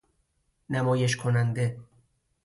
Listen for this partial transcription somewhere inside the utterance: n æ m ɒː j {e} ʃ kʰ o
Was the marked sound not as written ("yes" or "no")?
no